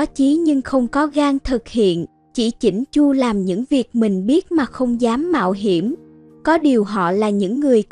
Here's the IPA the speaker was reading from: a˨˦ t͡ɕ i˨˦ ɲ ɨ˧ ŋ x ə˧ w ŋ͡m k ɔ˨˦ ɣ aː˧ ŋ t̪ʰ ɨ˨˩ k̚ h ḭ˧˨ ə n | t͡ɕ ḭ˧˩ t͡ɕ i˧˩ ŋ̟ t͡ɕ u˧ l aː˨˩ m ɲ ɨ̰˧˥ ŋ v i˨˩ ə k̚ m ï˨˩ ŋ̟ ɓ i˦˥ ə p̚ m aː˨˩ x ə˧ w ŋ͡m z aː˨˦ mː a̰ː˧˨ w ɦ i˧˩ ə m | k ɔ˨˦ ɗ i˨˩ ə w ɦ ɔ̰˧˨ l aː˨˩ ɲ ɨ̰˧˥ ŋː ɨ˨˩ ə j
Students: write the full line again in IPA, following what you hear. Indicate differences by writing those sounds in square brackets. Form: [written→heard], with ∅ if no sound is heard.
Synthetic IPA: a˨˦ t͡ɕ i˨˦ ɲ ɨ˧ ŋ x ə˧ w ŋ͡m k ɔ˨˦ ɣ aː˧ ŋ t̪ʰ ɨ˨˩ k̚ h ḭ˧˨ ə n | t͡ɕ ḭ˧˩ t͡ɕ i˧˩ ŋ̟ t͡ɕ u˧ l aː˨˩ m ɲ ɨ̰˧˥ ŋ v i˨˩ ə k̚ m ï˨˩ ŋ̟ ɓ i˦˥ ə [p̚→t̚] m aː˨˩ x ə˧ w ŋ͡m z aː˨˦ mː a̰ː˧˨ w ɦ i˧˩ ə m | k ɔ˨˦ ɗ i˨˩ ə w ɦ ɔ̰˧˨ l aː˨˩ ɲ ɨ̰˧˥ ŋː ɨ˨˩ ə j